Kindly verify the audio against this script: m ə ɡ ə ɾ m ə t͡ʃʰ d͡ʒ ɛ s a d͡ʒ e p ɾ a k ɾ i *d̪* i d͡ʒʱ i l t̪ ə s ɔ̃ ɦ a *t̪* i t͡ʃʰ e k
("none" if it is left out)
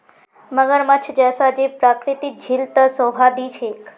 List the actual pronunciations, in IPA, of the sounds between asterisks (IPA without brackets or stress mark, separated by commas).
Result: t̪, d̪